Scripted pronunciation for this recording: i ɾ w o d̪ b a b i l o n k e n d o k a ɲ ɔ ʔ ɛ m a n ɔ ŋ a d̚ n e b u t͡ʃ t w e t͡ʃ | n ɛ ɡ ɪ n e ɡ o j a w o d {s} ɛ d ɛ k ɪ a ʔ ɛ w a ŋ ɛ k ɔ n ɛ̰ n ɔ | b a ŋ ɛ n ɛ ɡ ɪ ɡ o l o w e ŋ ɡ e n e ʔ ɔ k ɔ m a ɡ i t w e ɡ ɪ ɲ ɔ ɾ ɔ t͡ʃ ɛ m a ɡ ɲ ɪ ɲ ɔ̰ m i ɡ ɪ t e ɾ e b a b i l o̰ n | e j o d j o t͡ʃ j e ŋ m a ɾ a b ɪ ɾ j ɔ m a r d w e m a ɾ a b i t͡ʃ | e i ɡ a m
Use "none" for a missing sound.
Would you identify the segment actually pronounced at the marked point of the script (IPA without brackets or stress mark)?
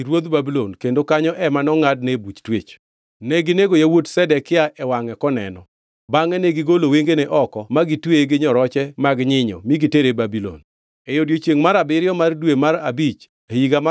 s